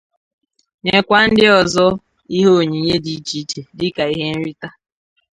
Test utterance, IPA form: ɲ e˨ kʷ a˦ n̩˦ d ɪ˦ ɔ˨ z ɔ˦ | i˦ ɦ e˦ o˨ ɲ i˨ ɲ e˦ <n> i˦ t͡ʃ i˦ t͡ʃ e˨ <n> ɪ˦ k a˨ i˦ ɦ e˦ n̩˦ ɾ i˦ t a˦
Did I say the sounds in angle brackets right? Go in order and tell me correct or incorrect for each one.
incorrect: d, incorrect: d

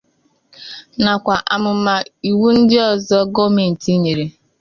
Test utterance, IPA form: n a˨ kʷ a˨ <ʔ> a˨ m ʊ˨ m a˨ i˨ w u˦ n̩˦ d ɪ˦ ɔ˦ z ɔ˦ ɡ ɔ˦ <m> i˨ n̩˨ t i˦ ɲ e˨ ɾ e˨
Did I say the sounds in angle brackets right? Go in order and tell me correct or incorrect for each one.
correct, correct

